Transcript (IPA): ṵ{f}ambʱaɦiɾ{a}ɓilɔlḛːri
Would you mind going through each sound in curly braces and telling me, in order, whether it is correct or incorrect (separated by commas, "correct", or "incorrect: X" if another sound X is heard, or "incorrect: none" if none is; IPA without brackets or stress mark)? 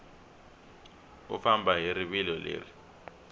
correct, incorrect: i